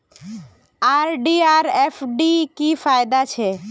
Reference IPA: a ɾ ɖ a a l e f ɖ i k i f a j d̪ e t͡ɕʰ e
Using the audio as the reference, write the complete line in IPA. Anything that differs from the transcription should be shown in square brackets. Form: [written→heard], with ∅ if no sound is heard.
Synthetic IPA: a ɾ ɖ [a→i] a [l→ɾ] e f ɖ i k i f a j d̪ [e→a] t͡ɕʰ e